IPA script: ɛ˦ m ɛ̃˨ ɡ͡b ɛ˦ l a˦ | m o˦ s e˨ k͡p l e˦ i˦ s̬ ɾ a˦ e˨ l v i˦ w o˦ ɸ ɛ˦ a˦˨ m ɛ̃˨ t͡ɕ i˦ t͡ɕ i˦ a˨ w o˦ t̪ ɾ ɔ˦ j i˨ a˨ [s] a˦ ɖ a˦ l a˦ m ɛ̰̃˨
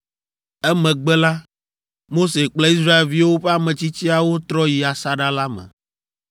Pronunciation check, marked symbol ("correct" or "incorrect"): correct